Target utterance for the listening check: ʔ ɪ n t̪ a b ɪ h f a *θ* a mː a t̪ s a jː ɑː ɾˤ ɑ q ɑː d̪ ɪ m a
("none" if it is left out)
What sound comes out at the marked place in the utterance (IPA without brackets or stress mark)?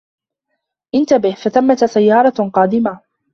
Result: θ